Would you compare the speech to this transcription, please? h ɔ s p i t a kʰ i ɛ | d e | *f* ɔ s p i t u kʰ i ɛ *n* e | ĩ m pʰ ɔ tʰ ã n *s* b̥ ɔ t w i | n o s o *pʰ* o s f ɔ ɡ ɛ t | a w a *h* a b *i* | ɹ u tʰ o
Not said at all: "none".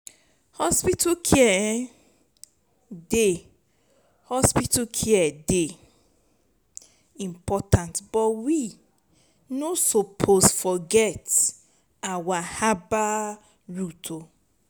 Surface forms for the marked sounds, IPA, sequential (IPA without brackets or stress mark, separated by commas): h, d, t, pʰ, h, a